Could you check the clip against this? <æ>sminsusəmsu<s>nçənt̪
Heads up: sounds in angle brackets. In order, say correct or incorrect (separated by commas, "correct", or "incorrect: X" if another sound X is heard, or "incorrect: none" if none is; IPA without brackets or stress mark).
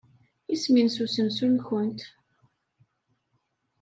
incorrect: i, incorrect: none